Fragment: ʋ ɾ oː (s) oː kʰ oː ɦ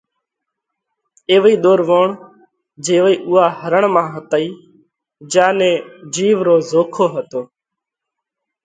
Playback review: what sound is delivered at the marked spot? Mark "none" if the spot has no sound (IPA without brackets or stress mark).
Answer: z